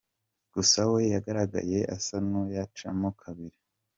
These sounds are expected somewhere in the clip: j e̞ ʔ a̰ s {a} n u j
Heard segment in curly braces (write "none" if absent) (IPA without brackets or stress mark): a